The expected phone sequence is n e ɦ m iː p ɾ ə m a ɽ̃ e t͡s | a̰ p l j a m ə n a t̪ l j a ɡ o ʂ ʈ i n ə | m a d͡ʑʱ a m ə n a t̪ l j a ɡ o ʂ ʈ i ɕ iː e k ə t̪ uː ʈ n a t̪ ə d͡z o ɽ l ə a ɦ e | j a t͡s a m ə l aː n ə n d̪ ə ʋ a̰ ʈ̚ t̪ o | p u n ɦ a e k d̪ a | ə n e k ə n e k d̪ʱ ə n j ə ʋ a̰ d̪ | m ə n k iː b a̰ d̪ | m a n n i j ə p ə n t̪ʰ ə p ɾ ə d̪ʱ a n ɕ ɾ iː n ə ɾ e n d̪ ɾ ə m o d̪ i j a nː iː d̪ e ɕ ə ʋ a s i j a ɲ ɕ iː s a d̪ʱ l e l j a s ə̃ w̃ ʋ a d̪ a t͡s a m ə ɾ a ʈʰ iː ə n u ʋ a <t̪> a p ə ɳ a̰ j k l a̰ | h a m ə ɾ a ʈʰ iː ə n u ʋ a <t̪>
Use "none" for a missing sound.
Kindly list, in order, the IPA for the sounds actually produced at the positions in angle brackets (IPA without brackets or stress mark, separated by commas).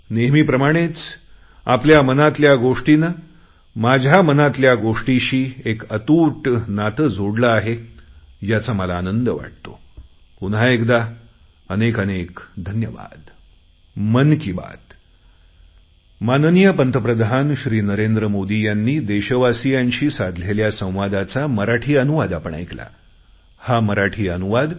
d̪, d̪